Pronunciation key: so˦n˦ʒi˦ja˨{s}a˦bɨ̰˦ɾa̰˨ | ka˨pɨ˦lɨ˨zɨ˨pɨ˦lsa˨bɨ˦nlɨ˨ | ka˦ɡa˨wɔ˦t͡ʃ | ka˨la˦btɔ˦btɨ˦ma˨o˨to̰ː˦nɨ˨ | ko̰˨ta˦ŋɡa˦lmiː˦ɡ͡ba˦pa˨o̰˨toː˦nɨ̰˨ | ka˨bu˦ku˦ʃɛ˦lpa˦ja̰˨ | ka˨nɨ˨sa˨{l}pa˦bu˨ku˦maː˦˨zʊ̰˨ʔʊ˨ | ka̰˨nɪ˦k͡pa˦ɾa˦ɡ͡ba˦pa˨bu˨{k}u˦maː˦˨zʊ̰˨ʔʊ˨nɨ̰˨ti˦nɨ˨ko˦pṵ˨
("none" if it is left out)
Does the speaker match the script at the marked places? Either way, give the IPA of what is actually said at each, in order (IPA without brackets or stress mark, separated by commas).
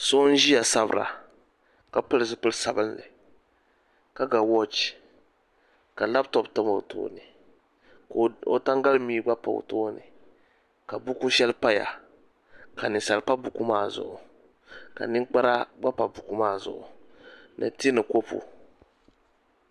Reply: s, l, k